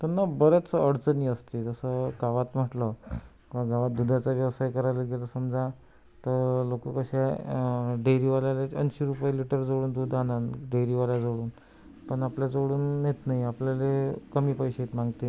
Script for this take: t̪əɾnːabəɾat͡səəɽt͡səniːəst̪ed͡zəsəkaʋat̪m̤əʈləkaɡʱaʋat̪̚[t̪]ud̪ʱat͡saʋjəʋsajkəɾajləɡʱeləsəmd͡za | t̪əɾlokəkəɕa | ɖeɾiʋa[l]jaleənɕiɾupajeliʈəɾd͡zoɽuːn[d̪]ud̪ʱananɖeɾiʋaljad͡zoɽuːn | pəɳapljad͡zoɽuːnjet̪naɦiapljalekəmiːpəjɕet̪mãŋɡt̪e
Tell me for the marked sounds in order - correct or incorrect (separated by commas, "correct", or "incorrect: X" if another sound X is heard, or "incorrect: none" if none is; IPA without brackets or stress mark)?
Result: incorrect: d̪, correct, correct